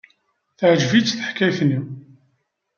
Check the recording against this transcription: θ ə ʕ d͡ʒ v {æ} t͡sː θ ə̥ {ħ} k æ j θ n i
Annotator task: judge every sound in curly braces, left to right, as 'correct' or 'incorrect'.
incorrect: i, correct

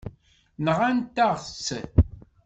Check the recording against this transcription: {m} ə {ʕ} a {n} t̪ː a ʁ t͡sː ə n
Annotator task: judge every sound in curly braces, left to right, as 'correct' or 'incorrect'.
incorrect: n, incorrect: ʁ, correct

